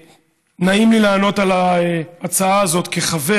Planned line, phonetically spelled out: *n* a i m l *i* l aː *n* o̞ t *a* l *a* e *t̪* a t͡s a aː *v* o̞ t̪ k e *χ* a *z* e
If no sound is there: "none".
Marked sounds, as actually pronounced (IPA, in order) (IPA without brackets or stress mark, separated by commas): n, i, n, a, a, none, z, χ, v